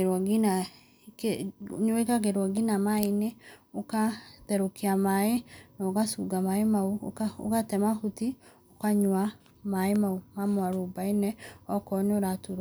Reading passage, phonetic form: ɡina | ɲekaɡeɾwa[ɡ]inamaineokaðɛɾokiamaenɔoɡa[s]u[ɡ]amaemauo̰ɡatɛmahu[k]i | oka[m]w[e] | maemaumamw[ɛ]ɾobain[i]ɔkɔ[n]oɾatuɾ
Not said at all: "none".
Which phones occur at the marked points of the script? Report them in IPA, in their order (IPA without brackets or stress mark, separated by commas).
ɡ, s, ɡ, t, ɲ, a, a, ɛ, n